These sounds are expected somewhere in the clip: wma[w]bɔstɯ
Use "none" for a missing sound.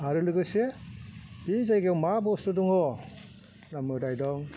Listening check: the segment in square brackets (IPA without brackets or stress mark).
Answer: none